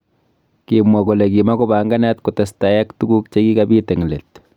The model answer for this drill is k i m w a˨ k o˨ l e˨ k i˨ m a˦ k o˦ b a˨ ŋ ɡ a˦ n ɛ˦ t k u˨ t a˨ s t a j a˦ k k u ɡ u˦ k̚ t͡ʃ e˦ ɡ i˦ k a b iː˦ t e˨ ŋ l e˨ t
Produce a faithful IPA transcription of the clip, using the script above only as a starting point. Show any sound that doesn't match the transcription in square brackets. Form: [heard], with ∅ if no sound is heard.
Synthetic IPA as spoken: k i m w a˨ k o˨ l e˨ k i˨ m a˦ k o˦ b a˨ ŋ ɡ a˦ n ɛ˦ t k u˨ t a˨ s t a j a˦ k [t] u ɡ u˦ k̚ t͡ʃ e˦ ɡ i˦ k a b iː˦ t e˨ ŋ l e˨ t